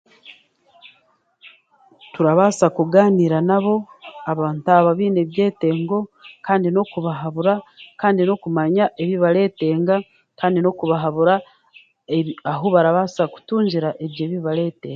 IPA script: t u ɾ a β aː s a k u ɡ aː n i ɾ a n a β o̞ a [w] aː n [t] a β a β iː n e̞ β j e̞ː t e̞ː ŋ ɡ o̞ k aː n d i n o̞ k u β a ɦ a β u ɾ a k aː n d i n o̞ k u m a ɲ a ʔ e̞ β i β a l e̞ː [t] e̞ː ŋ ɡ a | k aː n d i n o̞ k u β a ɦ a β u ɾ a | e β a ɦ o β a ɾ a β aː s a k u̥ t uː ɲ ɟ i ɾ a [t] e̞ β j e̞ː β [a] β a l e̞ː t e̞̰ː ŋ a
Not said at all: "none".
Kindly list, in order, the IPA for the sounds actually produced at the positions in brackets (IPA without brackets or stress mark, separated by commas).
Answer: β, t, t, ʔ, i